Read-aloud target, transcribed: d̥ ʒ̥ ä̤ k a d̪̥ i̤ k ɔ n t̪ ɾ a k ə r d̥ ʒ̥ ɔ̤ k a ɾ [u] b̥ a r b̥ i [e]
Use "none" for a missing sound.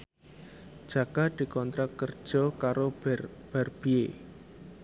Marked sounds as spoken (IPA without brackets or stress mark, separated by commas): o, e